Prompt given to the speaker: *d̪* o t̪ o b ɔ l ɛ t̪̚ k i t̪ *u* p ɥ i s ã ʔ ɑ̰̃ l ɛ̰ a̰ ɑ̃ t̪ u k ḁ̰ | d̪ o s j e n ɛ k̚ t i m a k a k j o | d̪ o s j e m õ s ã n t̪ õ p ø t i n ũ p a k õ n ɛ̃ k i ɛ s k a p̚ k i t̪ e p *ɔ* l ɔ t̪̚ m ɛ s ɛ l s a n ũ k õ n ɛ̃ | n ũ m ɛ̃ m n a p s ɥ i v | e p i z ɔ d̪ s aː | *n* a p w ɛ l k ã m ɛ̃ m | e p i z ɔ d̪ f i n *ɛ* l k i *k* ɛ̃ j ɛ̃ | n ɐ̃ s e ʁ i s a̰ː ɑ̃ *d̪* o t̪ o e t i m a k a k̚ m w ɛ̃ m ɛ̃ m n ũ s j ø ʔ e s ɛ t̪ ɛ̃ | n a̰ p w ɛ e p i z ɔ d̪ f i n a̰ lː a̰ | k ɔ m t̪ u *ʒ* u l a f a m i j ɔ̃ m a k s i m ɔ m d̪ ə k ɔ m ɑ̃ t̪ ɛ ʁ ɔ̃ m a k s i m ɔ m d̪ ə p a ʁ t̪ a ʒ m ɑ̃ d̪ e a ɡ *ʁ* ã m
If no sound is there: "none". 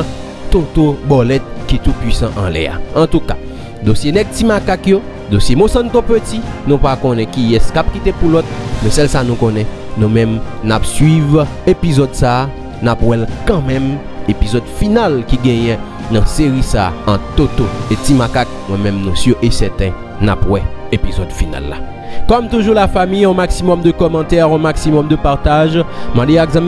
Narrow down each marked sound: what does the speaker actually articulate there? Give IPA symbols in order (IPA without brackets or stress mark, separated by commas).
t̪, u, u, n, a, ɡ, t̪, ʒ, z